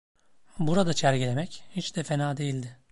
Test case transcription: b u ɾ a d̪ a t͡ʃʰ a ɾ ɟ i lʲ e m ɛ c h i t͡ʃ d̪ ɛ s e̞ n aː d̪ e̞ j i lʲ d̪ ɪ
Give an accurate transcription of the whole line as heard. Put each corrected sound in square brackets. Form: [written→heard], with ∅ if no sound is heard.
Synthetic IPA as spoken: b u ɾ a d̪ a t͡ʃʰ [a→æ] ɾ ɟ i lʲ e m ɛ c h i t͡ʃ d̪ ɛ [s→f] e̞ n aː d̪ e̞ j i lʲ d̪ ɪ